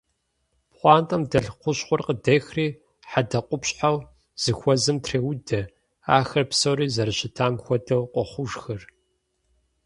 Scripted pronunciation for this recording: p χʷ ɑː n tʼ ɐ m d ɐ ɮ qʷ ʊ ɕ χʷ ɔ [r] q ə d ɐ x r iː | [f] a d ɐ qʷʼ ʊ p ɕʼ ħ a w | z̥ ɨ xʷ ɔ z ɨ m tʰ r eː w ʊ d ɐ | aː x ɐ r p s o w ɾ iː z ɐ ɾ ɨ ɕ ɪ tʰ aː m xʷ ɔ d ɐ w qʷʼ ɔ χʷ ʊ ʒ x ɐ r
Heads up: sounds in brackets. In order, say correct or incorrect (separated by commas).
correct, incorrect